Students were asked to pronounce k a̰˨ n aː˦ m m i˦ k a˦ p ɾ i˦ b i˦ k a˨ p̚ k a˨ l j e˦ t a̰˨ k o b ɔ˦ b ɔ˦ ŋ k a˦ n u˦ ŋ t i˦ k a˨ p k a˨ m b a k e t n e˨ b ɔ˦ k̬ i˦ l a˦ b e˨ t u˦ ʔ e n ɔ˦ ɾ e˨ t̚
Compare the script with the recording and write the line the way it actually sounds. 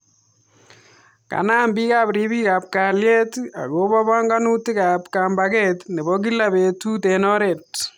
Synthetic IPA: k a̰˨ n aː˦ m b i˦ k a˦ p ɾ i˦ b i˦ k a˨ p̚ k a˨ l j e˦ t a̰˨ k o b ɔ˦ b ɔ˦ ŋ ɡ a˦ n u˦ t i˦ k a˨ p k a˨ m b a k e t n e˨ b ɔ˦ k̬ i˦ l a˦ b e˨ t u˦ t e n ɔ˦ ɾ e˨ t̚

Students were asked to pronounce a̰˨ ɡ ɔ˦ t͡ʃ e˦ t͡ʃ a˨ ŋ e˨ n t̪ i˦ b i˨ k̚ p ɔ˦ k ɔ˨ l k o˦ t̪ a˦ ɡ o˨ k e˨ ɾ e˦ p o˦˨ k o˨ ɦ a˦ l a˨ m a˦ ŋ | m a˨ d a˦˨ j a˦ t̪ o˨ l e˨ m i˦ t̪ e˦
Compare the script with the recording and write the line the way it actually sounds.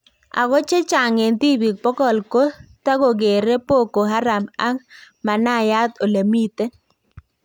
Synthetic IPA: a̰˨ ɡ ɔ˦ t͡ʃ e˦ t͡ʃ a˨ ŋ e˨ n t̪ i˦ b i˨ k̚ p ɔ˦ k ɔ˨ l k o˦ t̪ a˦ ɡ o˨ ɡ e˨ ɾ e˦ p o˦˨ k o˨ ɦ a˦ ɾ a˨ m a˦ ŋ | m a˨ n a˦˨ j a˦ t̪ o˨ l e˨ m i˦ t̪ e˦

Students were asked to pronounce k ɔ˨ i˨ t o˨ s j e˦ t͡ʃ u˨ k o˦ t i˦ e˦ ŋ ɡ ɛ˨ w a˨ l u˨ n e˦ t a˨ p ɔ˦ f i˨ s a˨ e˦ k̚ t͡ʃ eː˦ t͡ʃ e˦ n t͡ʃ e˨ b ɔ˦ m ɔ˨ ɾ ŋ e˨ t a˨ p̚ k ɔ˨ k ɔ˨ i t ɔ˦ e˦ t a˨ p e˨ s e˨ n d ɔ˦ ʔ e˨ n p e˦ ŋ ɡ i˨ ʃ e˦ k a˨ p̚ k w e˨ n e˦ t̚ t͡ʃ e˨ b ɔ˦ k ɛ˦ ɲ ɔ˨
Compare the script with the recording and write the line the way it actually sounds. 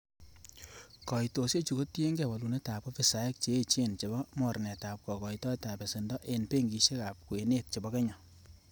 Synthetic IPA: k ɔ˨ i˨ t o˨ s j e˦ t͡ʃ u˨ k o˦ t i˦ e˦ ŋ ɡ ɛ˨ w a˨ l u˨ n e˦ t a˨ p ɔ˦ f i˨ s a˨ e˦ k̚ t͡ʃ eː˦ t͡ʃ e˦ n t͡ʃ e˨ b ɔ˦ m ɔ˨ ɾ n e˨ t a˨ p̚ k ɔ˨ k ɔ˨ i t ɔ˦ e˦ t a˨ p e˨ s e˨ n d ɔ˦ ʔ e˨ n p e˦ ŋ ɡ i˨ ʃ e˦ k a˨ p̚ k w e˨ n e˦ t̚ t͡ʃ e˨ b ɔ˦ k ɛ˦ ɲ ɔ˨

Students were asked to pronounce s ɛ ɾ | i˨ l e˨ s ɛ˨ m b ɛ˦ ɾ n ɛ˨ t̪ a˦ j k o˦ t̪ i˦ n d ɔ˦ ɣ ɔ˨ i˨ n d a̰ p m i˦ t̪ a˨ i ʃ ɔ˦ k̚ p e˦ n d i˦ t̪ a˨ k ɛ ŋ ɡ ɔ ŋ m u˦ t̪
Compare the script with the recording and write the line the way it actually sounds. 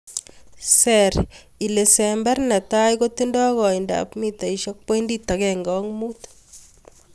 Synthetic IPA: s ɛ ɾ | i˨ l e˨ s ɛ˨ m b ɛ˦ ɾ n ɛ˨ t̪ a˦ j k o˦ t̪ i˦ n d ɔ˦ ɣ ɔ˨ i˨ n d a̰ p m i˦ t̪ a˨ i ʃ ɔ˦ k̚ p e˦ n d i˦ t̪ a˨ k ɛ ŋ ɡ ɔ ŋ m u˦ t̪

